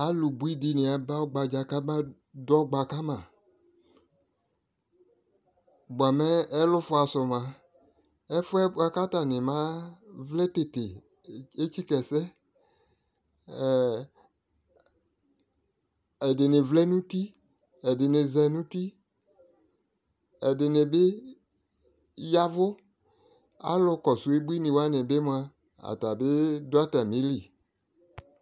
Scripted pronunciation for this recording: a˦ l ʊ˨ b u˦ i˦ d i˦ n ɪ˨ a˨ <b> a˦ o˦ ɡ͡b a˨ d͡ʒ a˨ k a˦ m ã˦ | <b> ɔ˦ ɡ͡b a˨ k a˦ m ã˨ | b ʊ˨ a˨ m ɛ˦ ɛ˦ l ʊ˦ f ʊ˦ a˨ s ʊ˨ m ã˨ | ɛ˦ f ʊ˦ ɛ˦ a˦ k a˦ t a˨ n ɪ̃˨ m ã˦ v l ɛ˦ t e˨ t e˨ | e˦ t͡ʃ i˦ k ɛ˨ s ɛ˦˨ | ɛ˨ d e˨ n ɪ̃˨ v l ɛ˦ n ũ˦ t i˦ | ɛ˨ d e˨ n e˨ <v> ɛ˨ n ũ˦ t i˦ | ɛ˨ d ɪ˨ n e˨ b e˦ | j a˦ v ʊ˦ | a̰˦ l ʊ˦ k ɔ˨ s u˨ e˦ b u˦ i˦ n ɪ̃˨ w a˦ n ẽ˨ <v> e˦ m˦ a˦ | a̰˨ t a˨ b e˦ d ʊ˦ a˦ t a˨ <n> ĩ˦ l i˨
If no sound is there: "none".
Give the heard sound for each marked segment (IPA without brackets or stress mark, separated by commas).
b, d, z, b, m